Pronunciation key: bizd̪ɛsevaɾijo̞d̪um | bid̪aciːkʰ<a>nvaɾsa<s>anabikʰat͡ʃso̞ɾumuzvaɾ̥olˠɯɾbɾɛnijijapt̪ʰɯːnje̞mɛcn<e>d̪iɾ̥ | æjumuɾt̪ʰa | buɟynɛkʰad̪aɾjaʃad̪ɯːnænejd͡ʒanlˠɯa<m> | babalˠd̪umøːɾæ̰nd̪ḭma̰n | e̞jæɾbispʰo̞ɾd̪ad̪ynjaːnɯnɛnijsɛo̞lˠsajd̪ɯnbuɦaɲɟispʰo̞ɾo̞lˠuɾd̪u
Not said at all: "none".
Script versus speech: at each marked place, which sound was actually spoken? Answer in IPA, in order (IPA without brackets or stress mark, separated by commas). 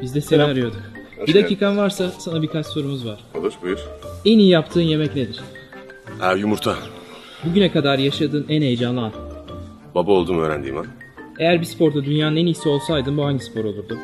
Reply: a, s, e, n